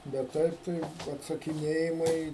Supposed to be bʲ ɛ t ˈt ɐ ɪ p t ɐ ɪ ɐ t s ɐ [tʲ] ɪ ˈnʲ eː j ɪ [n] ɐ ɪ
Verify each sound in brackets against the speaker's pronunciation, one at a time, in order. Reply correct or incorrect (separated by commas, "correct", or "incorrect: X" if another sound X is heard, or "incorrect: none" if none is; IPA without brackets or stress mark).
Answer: incorrect: kʲ, incorrect: m